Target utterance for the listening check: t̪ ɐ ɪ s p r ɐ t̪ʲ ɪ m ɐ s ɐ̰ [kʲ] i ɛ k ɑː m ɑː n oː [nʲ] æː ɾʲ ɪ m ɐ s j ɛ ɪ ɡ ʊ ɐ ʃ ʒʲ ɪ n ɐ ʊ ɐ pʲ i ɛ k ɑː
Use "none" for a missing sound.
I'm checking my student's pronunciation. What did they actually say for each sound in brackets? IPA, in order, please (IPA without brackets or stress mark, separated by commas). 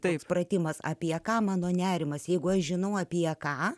pʲ, nʲ